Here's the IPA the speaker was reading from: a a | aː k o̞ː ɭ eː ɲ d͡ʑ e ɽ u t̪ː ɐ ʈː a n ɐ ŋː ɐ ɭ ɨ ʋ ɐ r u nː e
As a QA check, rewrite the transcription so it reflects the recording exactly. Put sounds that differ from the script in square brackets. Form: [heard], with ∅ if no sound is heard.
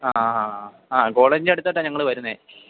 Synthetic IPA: a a | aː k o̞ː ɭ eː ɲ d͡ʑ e ɽ u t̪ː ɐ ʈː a [ɲ] ɐ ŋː ɐ ɭ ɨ ʋ ɐ [ɾ] u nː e